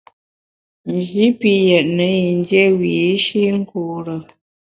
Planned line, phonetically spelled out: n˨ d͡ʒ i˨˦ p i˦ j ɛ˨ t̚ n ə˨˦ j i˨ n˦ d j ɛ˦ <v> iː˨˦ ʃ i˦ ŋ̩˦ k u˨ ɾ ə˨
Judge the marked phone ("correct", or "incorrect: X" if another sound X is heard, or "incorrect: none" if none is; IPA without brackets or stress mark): incorrect: w